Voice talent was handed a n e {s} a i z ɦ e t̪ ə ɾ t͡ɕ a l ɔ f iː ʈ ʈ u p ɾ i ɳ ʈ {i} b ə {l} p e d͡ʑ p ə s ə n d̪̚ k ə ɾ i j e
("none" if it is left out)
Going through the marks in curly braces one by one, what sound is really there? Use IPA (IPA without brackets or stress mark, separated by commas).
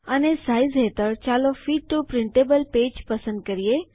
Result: s, e, l